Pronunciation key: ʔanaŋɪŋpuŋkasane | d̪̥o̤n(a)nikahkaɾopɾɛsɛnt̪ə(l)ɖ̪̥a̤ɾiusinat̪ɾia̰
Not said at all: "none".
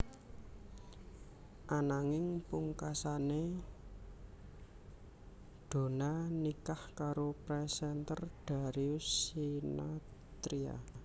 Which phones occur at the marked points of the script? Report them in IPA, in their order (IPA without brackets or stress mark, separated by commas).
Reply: a, r